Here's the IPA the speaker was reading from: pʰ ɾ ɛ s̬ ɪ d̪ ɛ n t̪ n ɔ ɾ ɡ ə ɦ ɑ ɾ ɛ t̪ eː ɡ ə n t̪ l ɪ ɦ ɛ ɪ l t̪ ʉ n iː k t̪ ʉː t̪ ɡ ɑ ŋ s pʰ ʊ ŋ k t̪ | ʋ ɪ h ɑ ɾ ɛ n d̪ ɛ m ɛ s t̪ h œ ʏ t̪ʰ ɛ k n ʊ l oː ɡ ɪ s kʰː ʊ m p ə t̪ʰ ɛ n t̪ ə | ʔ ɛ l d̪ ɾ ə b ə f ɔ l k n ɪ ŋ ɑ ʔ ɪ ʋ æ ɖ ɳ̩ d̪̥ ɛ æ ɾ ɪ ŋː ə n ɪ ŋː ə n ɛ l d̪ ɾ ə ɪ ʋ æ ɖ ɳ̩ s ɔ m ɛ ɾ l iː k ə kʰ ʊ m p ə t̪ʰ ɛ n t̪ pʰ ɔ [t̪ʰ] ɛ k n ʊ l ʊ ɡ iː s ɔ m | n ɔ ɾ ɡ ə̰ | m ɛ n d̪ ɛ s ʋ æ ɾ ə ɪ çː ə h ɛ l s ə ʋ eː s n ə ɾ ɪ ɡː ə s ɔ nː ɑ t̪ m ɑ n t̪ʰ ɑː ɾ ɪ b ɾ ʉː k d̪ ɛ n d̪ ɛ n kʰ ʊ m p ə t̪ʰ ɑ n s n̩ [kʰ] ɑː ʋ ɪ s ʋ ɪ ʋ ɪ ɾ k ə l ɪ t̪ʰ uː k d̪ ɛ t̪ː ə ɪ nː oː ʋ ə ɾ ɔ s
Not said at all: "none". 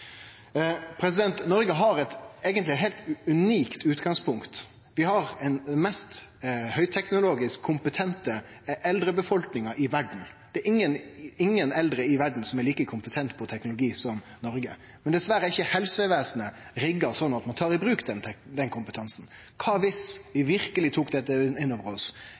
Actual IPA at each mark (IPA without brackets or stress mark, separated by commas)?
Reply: t̪ʰ, kʰ